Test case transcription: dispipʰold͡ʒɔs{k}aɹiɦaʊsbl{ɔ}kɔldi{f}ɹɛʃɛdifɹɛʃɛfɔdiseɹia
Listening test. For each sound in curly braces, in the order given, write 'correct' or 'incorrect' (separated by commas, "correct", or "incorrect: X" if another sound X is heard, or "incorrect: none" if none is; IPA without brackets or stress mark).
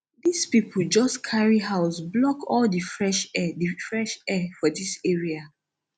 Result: incorrect: kʰ, correct, correct